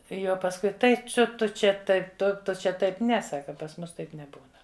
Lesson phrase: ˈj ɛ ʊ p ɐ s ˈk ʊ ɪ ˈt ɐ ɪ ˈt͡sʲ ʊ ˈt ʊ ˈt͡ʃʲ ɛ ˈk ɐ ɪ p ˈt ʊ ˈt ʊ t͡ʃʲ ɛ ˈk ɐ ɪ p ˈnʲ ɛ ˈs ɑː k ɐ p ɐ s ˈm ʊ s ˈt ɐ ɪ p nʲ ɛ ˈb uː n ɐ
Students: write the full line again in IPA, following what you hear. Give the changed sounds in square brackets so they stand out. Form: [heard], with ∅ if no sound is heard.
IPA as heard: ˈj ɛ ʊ p ɐ s ˈk ʊ ɪ ˈt ɐ ɪ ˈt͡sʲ ʊ ˈt ʊ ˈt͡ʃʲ ɛ [ˈt] ɐ ɪ p ˈt ʊ ˈt ʊ t͡ʃʲ ɛ [ˈt] ɐ ɪ p ˈnʲ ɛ ˈs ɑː k ɐ p ɐ s ˈm ʊ s ˈt ɐ ɪ p nʲ ɛ ˈb uː n ɐ